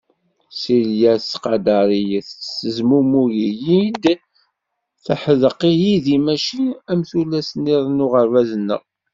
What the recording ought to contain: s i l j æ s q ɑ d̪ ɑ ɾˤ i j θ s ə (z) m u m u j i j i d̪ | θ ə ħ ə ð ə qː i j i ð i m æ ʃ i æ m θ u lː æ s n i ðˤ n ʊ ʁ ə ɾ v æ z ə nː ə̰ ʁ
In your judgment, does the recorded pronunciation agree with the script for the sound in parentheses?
yes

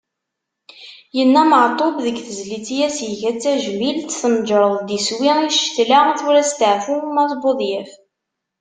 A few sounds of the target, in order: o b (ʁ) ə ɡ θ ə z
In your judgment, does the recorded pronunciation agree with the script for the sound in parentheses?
no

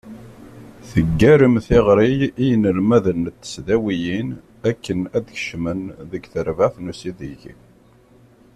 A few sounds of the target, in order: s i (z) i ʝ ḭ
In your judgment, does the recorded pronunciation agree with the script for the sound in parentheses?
no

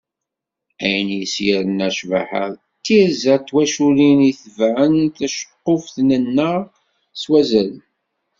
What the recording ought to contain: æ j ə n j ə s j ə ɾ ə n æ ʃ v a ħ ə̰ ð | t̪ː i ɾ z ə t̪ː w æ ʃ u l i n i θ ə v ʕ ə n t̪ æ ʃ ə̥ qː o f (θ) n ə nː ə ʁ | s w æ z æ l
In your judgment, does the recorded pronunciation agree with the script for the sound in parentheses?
yes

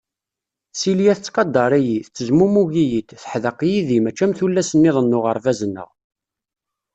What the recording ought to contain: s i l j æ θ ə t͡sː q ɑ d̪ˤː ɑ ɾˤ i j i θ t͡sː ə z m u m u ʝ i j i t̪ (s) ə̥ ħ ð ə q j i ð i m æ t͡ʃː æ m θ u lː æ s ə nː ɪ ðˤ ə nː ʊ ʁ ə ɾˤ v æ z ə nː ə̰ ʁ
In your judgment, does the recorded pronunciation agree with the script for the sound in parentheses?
no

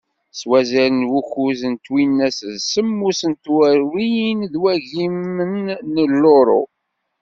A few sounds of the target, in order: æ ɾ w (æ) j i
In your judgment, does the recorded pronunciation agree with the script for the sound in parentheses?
no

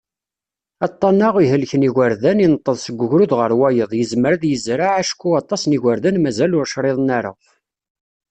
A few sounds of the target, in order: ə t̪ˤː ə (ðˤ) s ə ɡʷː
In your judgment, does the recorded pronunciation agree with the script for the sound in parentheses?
yes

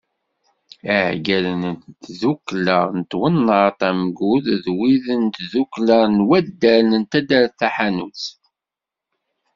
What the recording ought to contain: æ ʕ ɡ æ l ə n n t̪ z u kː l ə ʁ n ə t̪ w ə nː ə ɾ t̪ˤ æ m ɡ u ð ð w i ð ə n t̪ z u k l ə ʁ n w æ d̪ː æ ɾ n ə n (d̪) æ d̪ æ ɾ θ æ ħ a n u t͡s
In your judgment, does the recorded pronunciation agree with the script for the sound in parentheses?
no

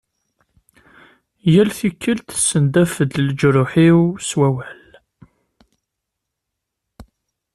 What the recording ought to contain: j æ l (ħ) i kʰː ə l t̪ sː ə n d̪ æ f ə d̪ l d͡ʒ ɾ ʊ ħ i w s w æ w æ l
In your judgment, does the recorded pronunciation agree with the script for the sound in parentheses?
no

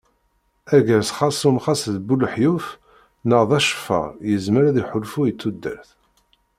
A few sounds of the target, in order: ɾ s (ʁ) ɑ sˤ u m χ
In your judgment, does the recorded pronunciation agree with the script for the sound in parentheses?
no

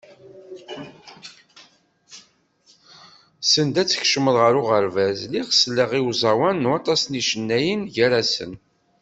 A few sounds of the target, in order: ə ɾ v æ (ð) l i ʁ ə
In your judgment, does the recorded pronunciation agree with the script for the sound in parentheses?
no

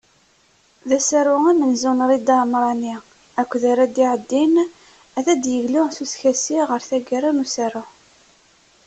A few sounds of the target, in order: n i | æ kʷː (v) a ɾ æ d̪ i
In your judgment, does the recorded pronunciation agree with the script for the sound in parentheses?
no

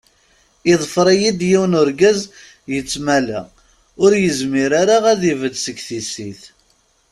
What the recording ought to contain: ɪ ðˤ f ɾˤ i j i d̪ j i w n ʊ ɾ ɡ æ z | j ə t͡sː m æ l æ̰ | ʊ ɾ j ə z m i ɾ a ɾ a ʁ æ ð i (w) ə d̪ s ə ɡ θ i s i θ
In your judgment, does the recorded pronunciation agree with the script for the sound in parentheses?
no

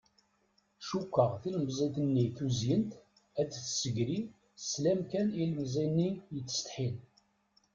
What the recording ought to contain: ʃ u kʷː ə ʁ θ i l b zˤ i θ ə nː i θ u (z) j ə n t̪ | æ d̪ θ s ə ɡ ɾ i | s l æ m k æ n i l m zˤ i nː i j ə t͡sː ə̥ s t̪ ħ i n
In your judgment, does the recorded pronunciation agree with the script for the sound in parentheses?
yes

